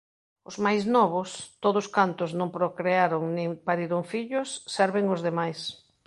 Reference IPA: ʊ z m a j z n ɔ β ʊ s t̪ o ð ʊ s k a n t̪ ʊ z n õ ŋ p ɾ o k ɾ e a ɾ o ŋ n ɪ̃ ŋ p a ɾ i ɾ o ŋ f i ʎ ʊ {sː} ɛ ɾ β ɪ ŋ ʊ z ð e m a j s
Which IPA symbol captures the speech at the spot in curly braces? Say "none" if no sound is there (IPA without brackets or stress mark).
sː